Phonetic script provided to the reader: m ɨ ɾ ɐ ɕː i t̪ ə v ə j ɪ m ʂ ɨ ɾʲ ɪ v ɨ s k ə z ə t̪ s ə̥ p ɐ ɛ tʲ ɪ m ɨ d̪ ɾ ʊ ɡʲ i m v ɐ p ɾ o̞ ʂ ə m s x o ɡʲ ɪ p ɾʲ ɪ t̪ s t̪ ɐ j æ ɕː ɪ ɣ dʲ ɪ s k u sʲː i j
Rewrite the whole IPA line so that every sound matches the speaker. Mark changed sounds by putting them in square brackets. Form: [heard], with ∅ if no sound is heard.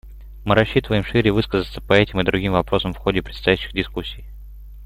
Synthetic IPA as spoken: m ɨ ɾ ɐ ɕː i t̪ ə v ə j ɪ m ʂ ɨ ɾʲ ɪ v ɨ s k ə z ə t̪ s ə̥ p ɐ ɛ tʲ ɪ m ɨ d̪ ɾ ʊ ɡʲ i m v ɐ p ɾ o̞ [s] ə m [f] x o [dʲ] ɪ p ɾʲ ɪ t̪ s t̪ ɐ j æ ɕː ɪ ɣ dʲ ɪ s k u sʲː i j